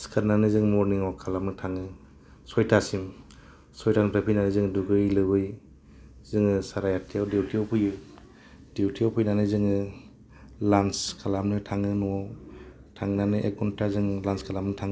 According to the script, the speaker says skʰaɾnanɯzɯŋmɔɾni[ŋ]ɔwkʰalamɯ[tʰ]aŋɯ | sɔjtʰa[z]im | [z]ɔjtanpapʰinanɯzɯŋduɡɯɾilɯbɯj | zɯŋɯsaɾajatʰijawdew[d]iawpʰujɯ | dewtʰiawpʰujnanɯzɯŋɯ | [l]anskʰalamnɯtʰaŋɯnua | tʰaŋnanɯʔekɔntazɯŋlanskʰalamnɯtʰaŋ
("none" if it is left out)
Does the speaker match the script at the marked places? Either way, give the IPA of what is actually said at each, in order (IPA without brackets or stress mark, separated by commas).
ŋ, tʰ, s, s, t, l